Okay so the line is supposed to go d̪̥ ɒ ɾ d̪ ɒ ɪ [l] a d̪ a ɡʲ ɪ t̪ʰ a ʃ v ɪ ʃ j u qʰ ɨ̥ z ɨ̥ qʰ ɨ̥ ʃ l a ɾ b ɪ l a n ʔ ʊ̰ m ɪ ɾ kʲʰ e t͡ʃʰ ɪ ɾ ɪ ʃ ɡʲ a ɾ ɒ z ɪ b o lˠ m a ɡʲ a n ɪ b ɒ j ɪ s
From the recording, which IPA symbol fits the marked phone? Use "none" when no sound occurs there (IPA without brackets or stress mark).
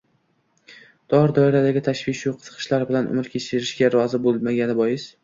ɾ